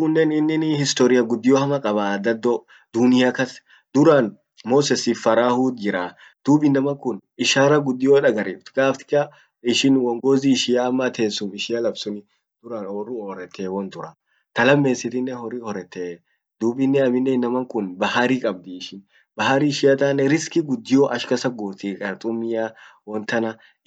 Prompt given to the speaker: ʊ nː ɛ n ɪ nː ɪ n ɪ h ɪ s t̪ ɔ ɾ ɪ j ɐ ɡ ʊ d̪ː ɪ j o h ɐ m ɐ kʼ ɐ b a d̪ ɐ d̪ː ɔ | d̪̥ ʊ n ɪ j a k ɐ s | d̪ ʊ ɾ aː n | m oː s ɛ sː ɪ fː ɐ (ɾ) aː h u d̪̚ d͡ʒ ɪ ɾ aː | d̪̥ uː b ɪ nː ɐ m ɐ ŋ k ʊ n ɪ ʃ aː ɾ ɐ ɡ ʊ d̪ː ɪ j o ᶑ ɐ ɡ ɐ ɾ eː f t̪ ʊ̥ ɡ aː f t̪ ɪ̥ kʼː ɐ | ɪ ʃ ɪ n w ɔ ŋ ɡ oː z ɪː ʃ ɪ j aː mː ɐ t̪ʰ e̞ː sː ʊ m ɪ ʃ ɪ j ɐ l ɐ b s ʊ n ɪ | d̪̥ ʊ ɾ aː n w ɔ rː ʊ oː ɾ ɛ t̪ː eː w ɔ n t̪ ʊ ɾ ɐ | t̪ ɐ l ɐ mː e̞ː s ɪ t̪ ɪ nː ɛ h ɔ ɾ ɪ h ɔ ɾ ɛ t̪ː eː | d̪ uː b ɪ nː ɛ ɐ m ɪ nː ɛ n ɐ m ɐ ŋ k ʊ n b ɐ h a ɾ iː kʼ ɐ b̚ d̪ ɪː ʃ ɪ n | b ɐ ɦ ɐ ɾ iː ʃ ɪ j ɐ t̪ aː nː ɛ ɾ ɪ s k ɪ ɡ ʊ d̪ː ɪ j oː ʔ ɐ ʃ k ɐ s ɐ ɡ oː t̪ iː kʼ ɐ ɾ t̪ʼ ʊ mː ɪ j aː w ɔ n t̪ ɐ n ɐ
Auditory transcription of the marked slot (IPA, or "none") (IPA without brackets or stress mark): ɾ